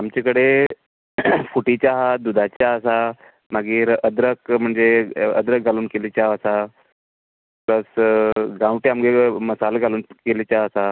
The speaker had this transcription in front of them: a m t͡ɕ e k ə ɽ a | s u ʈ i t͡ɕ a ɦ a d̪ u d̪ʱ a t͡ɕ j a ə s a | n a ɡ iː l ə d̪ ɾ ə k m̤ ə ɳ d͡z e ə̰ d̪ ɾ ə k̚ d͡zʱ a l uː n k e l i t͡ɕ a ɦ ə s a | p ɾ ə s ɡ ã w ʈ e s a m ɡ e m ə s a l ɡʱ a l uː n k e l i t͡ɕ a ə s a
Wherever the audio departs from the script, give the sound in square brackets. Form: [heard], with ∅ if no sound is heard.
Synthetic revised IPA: a m t͡ɕ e k ə ɽ [e] | [f] u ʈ i t͡ɕ a ɦ a d̪ u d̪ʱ a t͡ɕ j a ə s a | [m] a ɡ iː [ɾ] ə d̪ ɾ ə k m̤ ə ɳ d͡z e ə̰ d̪ ɾ ə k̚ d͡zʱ a l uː n k e l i t͡ɕ a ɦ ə s a | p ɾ ə s ɡ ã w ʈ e [∅] a m ɡ e m ə s a l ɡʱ a l uː n k e l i t͡ɕ a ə s a